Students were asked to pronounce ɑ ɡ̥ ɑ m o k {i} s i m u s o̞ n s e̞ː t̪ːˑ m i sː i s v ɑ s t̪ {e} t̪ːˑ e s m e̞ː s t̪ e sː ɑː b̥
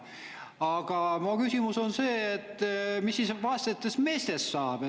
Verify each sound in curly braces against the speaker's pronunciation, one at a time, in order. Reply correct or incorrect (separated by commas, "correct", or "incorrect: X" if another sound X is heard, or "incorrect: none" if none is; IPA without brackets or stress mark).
incorrect: y, correct